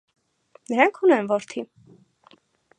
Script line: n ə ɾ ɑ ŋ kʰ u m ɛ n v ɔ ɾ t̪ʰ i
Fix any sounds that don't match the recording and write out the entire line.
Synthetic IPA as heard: n ə ɾ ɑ ŋ kʰ u n ɛ n v ɔ ɾ t̪ʰ i

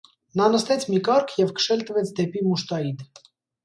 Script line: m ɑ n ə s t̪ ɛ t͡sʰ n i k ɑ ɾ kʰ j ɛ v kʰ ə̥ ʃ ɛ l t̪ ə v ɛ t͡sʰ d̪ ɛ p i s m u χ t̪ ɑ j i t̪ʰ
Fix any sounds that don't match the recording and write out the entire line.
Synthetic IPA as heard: n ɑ n ə s t̪ ɛ t͡sʰ m i k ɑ ɾ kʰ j ɛ v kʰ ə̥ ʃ ɛ l t̪ ə v ɛ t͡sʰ d̪ ɛ p i m u ʃ t̪ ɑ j i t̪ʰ

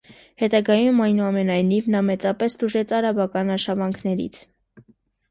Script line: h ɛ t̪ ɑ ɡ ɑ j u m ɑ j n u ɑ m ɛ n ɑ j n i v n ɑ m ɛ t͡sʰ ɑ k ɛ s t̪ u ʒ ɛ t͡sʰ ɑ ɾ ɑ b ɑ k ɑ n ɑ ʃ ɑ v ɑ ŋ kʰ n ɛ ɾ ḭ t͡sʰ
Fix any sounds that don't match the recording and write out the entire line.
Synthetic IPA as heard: h ɛ t̪ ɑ ɡ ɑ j u m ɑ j n u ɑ m ɛ n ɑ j n i v n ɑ m ɛ t͡s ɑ p ɛ s t̪ u ʒ ɛ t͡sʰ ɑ ɾ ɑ b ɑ k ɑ n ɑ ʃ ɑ v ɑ ŋ kʰ n ɛ ɾ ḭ t͡sʰ

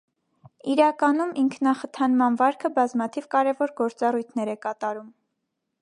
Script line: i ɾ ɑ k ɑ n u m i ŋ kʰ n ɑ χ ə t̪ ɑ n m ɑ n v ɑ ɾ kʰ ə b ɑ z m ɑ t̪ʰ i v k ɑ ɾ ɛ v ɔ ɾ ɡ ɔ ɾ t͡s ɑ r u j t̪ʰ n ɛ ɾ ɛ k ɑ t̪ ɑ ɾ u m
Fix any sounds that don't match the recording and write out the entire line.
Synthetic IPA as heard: i ɾ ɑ k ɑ n u m i ŋ kʰ n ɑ χ ə t̪ʰ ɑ n m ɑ n v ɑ ɾ kʰ ə b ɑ z m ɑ t̪ʰ i v k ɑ ɾ ɛ v ɔ ɾ ɡ ɔ ɾ t͡s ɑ r u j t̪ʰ n ɛ ɾ ɛ k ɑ t̪ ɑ ɾ u m

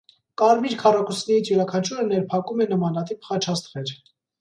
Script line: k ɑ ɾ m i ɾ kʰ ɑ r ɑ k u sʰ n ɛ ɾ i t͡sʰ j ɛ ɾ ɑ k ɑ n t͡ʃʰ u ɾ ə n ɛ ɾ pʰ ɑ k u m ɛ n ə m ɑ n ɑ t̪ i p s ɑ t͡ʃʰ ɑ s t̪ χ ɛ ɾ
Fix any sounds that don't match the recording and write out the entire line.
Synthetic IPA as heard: k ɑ ɾ m i ɾ kʰ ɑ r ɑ k u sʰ n ɛ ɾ i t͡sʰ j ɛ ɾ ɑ kʰ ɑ n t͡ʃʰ u ɾ ə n ɛ ɾ pʰ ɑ k u m ɛ n ə m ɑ n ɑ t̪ i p χ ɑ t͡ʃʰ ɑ s t̪ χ ɛ ɾ

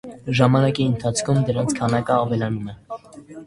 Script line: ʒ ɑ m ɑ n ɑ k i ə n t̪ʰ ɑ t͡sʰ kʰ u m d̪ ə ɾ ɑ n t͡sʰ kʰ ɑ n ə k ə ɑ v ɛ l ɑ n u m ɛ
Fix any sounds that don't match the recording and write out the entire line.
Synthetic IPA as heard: ʒ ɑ m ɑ n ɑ k i ə n t̪ʰ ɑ t͡sʰ kʰ u m d̪ ə ɾ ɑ n t͡sʰ kʰ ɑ n ɑ k ə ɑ v ɛ l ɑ n u m ɛ

